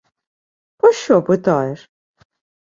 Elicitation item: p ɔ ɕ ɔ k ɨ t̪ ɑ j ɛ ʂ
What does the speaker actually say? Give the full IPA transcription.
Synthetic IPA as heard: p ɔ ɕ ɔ p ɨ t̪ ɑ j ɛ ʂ